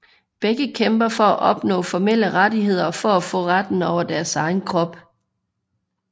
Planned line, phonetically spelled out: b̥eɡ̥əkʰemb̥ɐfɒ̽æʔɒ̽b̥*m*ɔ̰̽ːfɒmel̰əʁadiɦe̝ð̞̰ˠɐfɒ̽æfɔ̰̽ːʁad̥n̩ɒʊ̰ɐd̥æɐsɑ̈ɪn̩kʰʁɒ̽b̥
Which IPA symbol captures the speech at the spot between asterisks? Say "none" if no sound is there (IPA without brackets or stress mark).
n